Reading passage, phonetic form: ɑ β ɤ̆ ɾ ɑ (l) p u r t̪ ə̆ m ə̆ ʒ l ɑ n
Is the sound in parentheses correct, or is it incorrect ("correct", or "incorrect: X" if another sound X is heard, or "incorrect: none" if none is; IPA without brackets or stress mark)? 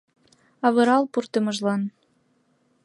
correct